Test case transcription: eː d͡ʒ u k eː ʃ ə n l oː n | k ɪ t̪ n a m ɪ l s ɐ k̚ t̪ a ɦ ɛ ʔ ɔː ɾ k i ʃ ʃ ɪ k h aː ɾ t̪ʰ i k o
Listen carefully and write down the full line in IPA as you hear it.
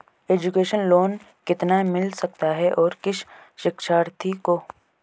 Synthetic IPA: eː d͡ʒ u k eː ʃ ə n l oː n | k ɪ t̪ n a m ɪ l s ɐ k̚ t̪ a ɦ ɛ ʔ ɔː ɾ k ɪ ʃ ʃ ɪ k ʃ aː ɾ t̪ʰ i k o